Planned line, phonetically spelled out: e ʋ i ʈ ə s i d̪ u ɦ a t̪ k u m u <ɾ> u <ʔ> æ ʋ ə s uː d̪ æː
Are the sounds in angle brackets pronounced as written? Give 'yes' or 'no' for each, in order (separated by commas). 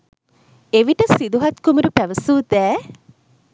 yes, no